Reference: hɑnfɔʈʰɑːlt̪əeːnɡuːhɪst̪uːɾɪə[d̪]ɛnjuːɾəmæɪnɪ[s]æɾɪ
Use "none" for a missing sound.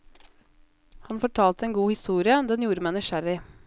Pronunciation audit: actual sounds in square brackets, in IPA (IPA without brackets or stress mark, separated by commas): d̪, ʃ